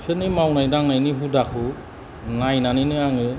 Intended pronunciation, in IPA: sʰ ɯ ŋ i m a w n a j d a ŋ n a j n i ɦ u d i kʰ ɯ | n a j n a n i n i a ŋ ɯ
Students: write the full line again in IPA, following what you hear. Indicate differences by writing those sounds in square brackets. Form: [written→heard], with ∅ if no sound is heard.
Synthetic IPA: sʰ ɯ [ŋ→n] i m a w n a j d a ŋ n a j n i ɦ u d [i→a] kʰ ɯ | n a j n a n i n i a ŋ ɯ